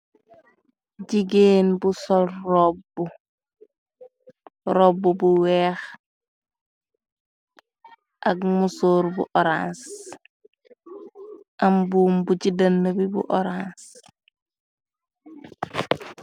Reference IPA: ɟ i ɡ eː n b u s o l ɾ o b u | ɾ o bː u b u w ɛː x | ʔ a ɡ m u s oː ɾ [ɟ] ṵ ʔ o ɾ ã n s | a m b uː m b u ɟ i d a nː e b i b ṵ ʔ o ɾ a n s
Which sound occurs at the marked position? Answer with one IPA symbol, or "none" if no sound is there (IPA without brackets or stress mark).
b